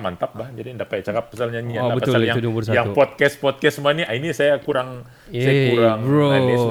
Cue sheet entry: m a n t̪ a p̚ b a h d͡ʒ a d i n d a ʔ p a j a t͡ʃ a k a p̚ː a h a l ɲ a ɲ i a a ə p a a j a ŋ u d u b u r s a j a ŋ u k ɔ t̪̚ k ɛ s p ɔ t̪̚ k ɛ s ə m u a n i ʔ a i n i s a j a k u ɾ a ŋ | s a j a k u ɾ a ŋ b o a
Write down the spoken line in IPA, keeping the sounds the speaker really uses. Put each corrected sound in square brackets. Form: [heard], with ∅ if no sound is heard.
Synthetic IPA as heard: m a n t̪ a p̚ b a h d͡ʒ a d i n d a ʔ p a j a t͡ʃ a k a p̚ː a [s] a l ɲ a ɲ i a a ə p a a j a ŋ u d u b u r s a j a ŋ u [p] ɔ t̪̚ k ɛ s p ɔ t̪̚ k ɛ s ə m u a n i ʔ a i n i s a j a k u ɾ a ŋ | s a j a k u ɾ a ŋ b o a